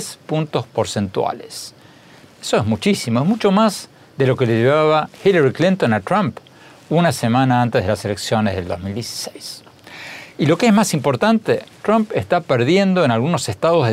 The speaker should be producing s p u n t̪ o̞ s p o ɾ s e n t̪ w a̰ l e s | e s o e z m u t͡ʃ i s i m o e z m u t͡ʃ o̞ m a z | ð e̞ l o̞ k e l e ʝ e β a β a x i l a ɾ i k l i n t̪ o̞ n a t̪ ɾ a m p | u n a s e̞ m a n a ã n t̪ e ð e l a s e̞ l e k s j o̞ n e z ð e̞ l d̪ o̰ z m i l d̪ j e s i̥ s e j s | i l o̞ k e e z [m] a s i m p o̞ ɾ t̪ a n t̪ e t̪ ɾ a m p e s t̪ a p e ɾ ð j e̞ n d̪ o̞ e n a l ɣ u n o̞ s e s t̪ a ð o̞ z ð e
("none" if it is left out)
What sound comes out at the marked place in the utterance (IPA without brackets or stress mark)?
m